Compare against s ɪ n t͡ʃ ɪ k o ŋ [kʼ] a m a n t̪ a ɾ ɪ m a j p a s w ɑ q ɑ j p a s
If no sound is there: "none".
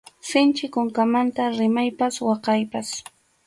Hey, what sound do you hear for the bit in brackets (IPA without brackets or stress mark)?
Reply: k